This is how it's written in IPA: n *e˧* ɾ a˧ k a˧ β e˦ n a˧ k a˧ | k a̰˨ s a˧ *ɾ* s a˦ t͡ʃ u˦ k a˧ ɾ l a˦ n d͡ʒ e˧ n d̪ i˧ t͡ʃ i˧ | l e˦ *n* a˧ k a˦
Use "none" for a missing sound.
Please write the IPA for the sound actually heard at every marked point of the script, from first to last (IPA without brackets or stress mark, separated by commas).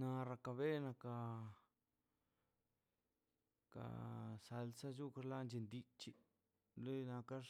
a˧, l, n